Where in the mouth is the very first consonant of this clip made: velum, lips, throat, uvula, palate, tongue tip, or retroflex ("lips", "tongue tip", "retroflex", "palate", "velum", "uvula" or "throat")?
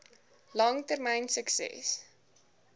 tongue tip